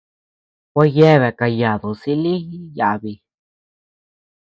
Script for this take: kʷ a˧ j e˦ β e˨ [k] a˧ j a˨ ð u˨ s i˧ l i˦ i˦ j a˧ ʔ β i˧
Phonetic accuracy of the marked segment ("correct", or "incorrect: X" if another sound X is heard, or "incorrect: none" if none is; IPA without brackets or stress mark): correct